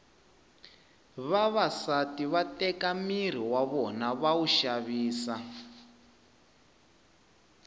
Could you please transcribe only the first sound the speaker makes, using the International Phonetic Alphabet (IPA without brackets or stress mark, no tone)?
β